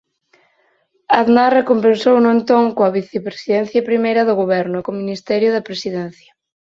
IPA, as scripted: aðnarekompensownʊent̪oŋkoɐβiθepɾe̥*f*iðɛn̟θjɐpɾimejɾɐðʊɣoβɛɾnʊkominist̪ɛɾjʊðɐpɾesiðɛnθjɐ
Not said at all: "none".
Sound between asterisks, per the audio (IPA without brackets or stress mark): s